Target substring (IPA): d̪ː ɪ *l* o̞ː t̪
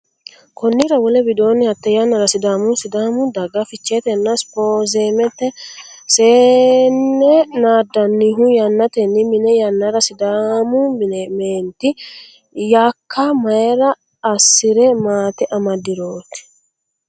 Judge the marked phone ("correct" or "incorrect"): incorrect